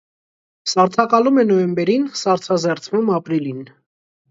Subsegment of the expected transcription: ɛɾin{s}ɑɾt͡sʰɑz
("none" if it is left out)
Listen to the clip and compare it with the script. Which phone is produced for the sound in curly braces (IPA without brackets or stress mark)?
s